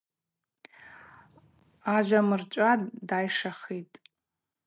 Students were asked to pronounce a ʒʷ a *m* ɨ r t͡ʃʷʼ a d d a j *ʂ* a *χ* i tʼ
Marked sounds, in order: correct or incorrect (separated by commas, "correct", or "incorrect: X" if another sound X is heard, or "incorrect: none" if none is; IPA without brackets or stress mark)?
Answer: correct, correct, correct